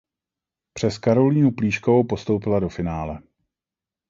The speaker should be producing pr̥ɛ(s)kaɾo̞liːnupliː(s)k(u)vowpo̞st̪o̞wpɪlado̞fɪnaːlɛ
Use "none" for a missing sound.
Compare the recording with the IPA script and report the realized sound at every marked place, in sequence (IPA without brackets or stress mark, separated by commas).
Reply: s, ʃ, o